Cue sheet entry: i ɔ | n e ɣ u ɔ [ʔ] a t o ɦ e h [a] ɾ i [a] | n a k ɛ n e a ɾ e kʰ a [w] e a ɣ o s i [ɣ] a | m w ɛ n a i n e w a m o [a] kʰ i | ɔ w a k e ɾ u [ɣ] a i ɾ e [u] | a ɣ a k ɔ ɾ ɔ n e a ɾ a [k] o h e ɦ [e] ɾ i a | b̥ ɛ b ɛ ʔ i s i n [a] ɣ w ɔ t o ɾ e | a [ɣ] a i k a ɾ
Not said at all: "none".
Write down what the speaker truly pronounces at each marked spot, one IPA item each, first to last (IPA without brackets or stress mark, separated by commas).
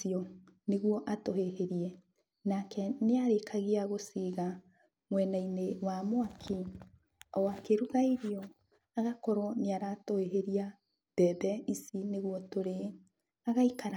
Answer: ʔ, e, ɛ, ɣ, ɣ, a, ɣ, ɔ, t, e, e, ɣ